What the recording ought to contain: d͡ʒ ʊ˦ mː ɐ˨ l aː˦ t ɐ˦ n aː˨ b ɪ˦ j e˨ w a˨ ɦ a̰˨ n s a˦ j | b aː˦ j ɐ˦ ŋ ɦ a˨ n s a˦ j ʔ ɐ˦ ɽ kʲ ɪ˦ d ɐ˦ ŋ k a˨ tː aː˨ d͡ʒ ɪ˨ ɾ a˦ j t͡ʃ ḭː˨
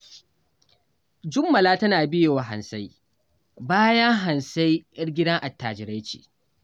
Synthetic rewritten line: d͡ʒ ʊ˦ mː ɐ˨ l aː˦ t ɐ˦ n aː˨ b ɪ˦ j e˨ w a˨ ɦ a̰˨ n s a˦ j | b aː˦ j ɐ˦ ŋ ɦ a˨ n s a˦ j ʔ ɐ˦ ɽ ɡʲ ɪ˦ d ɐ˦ ŋ ʔ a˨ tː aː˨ d͡ʒ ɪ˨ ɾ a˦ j t͡ʃ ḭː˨

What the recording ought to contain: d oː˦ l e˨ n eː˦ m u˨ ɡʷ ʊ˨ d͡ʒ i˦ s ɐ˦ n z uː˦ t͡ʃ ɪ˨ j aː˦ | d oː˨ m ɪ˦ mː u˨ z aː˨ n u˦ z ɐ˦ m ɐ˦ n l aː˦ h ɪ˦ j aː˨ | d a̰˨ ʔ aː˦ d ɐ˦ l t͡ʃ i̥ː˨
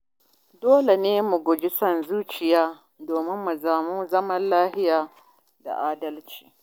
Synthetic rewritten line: d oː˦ l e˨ n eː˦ m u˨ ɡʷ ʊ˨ d͡ʒ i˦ s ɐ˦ n z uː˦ t͡ʃ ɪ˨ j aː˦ | d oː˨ m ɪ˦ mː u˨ z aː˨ m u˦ z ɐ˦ m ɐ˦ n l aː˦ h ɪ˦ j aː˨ | d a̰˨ ʔ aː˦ d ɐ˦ l t͡ʃ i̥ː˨

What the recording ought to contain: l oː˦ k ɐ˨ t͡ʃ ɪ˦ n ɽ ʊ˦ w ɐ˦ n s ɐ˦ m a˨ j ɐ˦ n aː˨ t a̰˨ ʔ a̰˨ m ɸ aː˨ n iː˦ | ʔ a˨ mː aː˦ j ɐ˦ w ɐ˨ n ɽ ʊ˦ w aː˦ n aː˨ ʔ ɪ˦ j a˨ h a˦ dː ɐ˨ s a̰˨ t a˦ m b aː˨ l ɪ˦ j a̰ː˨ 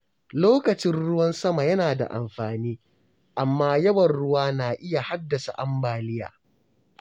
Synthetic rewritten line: l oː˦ k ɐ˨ t͡ʃ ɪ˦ n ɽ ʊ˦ w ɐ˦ n s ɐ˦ m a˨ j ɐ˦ n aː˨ d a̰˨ ʔ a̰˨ m ɸ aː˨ n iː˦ | ʔ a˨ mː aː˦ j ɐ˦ w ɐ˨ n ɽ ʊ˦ w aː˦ n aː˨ ʔ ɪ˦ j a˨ h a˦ dː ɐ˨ s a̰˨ ʔ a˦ m b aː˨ l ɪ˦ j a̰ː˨

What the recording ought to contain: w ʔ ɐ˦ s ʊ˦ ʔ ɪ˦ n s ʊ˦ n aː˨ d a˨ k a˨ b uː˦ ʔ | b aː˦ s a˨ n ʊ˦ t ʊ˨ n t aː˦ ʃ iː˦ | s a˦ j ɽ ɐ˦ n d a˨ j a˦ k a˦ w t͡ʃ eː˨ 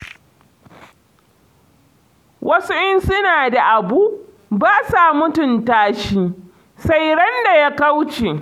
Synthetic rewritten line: w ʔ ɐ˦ s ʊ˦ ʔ ɪ˦ n s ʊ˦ n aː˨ d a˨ ʔ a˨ b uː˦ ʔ | b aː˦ s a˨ m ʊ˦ t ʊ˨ n t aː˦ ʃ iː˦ | s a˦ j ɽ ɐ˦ n d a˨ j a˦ k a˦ w t͡ʃ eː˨

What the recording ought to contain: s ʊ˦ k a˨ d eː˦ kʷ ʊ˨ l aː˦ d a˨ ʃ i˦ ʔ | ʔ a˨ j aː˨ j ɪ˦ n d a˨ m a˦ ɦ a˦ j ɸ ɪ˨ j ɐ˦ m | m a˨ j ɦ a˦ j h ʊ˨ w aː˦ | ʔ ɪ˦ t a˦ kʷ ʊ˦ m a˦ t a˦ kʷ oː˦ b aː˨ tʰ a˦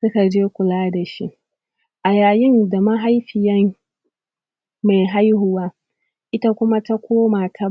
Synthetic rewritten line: s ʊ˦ k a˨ d͡ʒ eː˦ kʷ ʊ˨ l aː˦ d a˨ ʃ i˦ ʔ | ʔ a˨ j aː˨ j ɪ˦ n d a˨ m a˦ ɦ a˦ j ɸ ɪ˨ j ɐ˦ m | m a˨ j ɦ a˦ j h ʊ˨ w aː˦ | ʔ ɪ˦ t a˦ kʷ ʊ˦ m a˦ t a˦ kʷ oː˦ m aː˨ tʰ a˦

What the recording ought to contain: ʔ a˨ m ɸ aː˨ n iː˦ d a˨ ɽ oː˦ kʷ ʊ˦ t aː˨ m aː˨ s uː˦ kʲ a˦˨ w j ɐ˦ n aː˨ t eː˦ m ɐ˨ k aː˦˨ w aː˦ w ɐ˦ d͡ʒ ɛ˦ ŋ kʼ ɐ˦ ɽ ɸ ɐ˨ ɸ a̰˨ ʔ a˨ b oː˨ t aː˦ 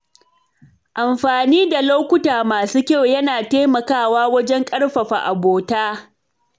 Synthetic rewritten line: ʔ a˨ m ɸ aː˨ n iː˦ d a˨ l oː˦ kʷ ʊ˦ t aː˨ m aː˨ s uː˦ kʲ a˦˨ w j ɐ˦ n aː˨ t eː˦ m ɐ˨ k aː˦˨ w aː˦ w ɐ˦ d͡ʒ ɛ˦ ŋ kʼ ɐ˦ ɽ ɸ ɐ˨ ɸ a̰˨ ʔ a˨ b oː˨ t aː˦

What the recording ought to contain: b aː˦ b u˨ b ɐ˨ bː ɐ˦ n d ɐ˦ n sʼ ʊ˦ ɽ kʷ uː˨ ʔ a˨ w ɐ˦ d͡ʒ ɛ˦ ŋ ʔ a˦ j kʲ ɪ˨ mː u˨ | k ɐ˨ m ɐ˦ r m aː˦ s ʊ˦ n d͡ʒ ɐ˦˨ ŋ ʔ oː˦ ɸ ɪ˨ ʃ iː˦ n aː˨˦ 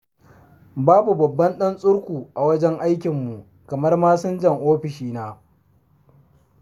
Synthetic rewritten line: b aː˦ b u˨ b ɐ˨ bː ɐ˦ n ɗ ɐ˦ n sʼ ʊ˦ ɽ kʷ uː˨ ʔ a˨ w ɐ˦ d͡ʒ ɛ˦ ŋ ʔ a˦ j kʲ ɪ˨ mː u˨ | k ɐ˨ m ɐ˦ r m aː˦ s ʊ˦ n d͡ʒ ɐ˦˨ ŋ ʔ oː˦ ɸ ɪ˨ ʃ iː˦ n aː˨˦

